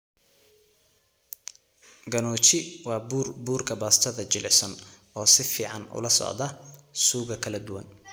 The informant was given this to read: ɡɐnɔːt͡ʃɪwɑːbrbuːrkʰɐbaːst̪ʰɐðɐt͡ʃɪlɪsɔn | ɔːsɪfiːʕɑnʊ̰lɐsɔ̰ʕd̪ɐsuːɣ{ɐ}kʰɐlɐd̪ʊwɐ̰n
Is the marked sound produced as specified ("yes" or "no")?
yes